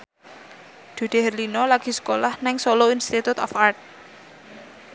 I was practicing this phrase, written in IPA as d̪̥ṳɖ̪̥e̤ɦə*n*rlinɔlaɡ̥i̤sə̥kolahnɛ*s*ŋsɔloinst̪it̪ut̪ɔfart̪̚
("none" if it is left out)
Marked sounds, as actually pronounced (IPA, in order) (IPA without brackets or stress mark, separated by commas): none, none